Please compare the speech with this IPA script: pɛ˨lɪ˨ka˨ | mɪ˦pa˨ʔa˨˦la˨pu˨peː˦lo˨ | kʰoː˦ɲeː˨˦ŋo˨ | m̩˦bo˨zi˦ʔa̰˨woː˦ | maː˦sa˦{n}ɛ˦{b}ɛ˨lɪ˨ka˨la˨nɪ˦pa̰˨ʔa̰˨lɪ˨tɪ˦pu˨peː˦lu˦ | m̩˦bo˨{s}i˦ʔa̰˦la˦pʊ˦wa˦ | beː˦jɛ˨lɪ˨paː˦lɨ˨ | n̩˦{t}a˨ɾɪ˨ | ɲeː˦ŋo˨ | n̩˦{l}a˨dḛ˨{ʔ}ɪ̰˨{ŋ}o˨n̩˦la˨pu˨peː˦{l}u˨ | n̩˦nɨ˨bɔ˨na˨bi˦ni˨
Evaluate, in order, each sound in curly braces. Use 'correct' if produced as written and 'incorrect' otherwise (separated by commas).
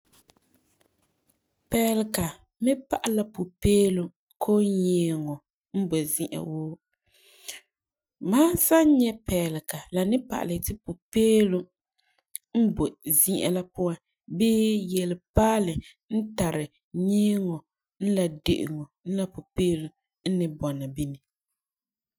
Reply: incorrect, incorrect, incorrect, correct, correct, correct, correct, correct